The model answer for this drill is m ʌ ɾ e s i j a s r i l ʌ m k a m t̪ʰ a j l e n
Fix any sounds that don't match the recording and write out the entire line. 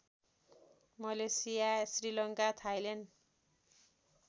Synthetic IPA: m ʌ l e s i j a s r i l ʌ ŋ k a t̪ʰ a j l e n